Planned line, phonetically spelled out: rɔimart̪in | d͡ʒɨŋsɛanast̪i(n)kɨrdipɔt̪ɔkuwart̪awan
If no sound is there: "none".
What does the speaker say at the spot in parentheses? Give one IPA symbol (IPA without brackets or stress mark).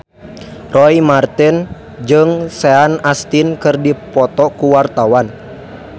n